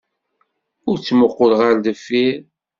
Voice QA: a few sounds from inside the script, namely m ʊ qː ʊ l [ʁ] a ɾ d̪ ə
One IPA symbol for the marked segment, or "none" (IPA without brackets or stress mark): ʁ